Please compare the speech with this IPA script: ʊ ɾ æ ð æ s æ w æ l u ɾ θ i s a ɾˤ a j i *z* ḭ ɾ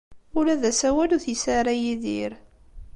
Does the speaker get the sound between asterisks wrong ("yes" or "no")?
yes